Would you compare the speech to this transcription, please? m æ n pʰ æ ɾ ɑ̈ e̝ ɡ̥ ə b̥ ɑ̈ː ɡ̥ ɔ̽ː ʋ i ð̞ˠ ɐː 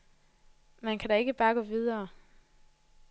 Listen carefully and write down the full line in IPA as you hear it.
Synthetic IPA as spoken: m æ n kʰ æ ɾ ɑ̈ e̝ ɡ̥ ə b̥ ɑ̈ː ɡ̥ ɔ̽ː ʋ i ð̞ˠ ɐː